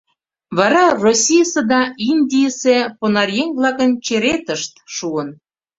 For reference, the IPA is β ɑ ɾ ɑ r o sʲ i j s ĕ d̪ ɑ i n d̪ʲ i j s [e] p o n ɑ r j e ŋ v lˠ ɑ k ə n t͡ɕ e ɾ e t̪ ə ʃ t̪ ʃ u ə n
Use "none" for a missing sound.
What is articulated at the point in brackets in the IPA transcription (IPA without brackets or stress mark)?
e